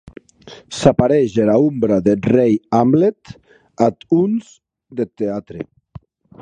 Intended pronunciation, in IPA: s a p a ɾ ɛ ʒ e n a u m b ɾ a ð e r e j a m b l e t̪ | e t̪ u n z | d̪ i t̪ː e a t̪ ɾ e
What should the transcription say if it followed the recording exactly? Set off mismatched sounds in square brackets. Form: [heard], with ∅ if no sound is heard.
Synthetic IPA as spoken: s a p a ɾ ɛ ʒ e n a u m b ɾ a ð e r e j a m b l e t̪ | [a] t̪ u n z | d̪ [e] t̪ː e a t̪ ɾ e

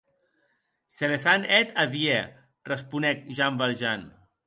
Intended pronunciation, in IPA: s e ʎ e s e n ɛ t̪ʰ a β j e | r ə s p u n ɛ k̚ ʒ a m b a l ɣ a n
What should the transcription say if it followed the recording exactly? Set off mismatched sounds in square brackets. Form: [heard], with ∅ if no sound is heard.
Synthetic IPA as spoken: s e [l] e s [a] n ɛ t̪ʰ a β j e | r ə s p u n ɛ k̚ ʒ a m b a l [ʒ] a n

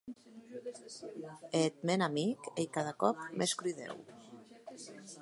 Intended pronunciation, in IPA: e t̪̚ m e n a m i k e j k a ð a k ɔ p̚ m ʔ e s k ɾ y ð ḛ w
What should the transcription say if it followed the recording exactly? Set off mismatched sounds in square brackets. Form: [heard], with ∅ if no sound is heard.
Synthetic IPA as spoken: e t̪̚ m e n a m i k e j k a ð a k ɔ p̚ m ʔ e s k ɾ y ð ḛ w

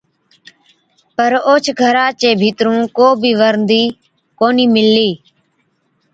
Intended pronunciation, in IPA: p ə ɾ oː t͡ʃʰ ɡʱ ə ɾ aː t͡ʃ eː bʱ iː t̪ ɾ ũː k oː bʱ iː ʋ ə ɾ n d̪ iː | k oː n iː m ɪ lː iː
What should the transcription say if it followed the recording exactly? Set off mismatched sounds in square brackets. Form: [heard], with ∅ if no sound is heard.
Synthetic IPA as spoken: p ə ɾ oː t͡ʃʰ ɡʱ ə ɾ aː t͡ʃ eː bʱ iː t̪ ɾ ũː k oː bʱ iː ʋ ə ɾ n d̪ iː | k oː n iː m ɪ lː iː

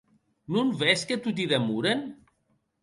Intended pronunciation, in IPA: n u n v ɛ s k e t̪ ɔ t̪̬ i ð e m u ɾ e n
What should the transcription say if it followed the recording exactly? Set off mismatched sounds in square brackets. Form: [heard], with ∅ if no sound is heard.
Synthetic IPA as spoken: n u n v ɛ s k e t̪ [u] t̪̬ i ð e m u ɾ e n

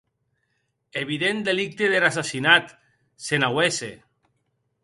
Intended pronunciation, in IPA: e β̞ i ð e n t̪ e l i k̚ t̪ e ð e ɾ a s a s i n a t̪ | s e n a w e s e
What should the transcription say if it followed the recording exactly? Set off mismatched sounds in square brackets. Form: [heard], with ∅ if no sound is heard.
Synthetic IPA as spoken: e β̞ i ð e n [d̪] e l i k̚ t̪ e ð e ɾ a s a s i n a t̪ | s e n a w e s e

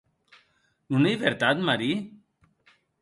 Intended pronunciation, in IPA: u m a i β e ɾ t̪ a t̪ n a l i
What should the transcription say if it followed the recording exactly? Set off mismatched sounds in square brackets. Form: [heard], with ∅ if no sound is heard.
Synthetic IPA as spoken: u [n] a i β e ɾ t̪ a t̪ [m] a [ɾ] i

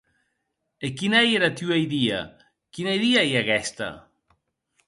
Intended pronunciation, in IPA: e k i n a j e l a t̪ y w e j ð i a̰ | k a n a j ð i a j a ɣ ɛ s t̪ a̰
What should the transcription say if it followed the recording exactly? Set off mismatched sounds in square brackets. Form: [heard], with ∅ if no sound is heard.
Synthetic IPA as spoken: e k i n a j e [ɾ] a t̪ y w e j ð i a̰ | k [i] n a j ð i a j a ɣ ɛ s t̪ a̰

